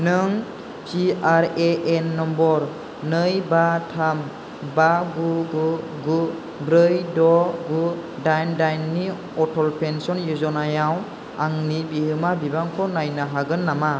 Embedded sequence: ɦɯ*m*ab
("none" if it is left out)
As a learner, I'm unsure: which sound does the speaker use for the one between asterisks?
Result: m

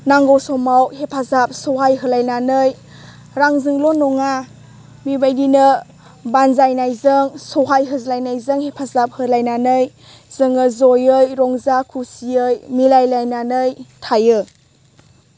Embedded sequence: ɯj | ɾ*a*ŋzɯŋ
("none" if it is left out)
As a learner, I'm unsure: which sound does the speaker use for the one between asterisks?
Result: a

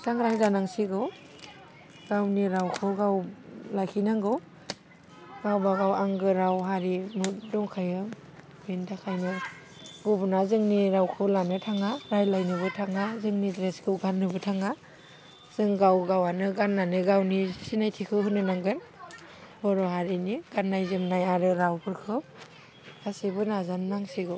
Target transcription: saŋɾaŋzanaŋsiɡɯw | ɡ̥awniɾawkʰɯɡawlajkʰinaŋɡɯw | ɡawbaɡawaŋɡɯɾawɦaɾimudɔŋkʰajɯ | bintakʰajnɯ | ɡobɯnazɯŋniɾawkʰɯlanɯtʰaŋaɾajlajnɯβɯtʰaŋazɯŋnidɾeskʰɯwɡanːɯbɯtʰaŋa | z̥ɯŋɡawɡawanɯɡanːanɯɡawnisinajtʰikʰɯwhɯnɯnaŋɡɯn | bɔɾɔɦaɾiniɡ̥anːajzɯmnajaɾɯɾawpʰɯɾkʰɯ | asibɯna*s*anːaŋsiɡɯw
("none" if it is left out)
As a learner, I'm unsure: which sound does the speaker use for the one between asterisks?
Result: z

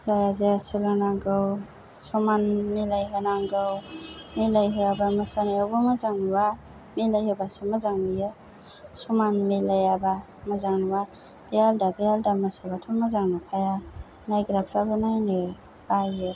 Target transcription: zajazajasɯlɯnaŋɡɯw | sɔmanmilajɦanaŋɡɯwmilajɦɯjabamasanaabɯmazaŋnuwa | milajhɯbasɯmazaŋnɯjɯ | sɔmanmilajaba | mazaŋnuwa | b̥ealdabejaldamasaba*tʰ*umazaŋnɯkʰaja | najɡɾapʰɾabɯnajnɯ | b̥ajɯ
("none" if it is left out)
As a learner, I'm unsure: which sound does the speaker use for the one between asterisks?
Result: tʰ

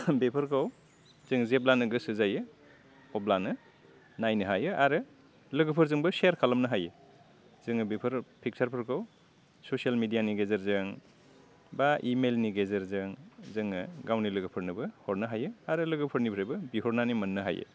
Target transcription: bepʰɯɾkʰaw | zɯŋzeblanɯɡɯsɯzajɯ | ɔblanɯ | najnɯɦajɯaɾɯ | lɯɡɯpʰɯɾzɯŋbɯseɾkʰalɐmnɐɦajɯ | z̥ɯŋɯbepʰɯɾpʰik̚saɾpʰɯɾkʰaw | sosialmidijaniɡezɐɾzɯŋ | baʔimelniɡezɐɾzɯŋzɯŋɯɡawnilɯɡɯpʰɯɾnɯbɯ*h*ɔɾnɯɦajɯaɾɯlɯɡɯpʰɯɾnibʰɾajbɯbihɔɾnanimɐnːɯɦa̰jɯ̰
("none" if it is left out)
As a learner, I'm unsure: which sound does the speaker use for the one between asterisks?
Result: h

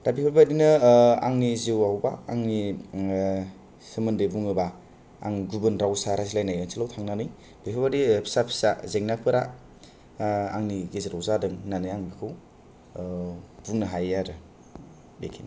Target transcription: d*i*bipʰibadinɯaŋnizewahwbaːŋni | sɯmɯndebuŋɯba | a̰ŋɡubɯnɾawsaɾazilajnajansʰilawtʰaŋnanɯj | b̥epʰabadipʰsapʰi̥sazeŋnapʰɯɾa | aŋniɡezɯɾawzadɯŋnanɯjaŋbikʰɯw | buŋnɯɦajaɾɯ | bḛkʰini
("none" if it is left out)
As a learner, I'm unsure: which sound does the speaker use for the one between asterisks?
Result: a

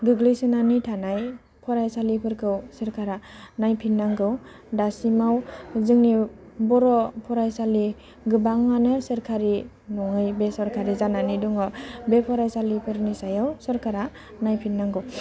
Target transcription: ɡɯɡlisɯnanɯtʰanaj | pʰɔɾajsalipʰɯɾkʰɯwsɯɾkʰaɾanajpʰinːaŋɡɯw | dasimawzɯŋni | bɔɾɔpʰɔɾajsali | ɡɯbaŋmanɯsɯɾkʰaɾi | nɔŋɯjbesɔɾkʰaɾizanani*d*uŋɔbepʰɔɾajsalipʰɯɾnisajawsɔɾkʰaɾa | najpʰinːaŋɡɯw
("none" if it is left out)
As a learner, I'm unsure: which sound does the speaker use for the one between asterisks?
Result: d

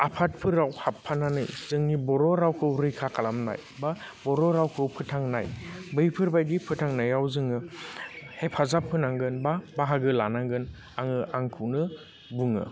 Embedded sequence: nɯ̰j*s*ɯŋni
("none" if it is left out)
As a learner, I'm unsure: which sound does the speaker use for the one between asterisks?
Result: z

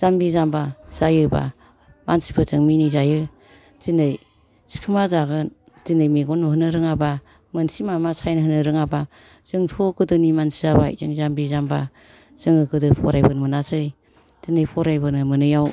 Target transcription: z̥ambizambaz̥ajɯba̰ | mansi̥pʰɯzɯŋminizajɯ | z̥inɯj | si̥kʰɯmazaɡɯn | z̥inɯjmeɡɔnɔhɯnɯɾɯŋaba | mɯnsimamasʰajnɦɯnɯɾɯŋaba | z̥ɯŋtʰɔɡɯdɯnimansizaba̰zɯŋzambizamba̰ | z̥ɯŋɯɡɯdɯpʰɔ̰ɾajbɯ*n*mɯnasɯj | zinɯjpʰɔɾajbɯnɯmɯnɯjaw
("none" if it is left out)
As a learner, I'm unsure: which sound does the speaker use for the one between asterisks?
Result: n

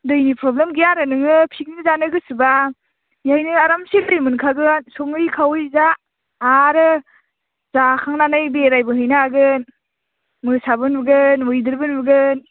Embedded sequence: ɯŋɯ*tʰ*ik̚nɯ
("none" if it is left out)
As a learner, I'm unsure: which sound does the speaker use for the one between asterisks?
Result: pʰ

